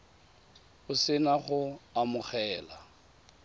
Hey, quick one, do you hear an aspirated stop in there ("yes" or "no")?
no